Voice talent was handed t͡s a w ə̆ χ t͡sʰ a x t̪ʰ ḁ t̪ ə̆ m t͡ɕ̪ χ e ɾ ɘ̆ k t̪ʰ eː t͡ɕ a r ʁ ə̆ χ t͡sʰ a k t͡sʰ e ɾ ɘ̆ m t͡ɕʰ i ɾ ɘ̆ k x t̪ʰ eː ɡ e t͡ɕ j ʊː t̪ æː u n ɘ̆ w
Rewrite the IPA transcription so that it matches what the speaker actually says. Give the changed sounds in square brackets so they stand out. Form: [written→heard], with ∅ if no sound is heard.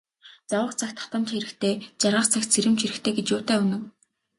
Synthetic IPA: t͡s a w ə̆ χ t͡sʰ a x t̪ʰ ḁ t̪ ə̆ m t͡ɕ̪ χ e ɾ ɘ̆ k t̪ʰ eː t͡ɕ a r ʁ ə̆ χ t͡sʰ a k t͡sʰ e ɾ ɘ̆ m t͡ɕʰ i ɾ ɘ̆ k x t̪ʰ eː ɡ e t͡ɕ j ʊː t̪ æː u n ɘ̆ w